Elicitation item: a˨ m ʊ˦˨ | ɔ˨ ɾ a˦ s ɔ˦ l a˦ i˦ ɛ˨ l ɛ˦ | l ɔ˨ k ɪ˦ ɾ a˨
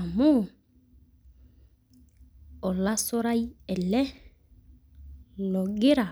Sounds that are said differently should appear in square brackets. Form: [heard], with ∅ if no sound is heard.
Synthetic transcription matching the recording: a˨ m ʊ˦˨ | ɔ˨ [l] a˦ s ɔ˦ [ɾ] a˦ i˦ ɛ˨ l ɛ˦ | l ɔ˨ [ɡ] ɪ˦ ɾ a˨